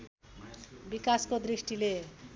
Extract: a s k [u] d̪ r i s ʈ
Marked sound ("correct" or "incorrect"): incorrect